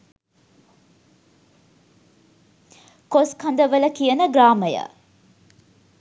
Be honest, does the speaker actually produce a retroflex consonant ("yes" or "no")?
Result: no